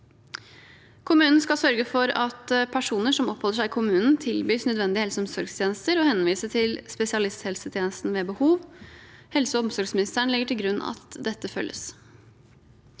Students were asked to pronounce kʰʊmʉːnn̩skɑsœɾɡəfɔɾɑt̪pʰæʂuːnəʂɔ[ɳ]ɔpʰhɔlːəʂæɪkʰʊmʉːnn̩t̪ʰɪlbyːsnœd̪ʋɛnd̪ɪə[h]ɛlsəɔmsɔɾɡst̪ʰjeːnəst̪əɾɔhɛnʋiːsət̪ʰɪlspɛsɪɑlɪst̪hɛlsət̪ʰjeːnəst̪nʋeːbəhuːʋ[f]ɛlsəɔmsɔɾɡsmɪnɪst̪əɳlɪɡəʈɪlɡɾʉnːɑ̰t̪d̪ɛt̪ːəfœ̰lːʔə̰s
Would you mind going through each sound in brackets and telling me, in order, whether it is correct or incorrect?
incorrect, correct, incorrect

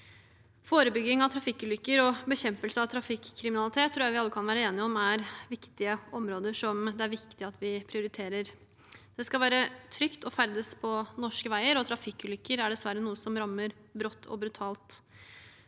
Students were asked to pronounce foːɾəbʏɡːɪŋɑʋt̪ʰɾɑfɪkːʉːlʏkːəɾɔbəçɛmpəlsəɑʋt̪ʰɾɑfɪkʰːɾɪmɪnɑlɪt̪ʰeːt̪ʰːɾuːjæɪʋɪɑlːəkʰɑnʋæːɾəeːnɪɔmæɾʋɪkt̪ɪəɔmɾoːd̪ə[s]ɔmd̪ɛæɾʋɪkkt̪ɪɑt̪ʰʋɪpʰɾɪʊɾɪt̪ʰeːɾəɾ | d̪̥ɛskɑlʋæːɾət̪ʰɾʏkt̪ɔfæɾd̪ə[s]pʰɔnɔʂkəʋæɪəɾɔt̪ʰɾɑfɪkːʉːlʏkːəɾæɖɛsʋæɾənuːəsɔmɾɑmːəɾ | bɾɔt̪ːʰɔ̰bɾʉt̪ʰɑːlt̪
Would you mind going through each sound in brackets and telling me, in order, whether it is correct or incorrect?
incorrect, correct

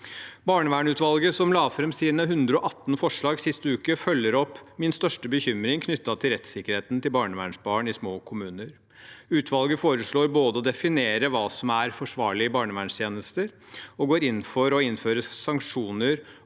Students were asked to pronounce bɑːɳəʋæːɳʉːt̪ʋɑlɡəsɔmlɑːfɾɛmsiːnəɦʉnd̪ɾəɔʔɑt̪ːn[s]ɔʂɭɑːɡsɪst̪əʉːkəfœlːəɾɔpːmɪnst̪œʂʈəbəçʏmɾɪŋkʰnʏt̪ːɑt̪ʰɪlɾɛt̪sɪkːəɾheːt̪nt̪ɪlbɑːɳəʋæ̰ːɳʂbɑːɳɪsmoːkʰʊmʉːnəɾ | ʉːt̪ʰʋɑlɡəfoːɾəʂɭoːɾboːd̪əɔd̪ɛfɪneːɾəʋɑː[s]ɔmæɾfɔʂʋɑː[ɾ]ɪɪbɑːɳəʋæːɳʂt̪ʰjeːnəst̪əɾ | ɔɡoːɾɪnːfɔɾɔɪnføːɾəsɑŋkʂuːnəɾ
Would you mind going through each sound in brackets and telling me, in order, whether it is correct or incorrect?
incorrect, correct, incorrect

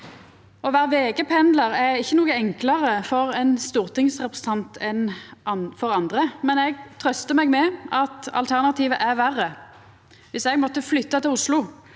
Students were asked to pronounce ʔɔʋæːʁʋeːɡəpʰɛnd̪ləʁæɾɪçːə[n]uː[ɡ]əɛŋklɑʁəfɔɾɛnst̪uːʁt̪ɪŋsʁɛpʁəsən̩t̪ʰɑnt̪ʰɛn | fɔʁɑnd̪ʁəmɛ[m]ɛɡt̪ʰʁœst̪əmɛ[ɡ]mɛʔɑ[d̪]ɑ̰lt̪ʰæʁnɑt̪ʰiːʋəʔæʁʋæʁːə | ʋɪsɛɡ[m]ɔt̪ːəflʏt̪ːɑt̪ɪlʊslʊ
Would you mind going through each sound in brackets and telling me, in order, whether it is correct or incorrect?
correct, correct, incorrect, correct, incorrect, correct

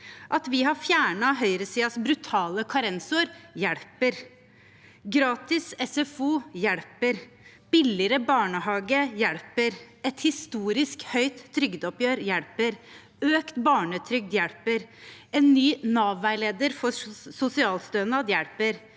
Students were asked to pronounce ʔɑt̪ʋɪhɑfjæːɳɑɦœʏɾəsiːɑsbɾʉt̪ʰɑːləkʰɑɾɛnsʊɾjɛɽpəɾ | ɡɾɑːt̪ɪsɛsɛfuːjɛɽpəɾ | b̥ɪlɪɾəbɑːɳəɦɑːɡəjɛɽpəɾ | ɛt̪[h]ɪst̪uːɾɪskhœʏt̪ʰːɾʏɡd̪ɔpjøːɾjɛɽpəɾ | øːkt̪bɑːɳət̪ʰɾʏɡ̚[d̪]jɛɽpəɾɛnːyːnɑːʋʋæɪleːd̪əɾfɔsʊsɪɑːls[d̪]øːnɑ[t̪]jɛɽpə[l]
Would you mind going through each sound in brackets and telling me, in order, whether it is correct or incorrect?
correct, correct, incorrect, incorrect, incorrect

